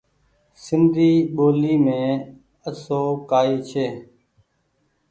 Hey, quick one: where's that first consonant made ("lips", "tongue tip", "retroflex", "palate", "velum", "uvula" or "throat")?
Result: tongue tip